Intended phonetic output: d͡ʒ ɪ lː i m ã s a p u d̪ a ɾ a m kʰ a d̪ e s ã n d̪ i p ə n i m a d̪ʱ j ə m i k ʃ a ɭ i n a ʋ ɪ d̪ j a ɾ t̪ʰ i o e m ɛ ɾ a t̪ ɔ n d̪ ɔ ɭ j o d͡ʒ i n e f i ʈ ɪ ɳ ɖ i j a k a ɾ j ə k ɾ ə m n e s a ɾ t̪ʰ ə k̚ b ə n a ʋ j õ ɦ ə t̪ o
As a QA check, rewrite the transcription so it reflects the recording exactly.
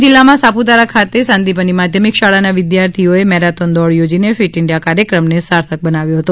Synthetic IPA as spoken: d͡ʒ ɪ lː a m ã s a p u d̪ a ɾ a kʰ a t̪ e s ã n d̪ i p ə n i m a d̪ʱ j ə m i k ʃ a ɭ a n a ʋ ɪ d̪ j a ɾ t̪ʰ i o e m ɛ ɾ a t̪ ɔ n d̪ ɔ ɭ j o d͡ʒ i n e f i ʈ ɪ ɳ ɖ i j a k a ɾ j ə k ɾ ə m n e s a ɾ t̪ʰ ə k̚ b ə n a ʋ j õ ɦ ə t̪ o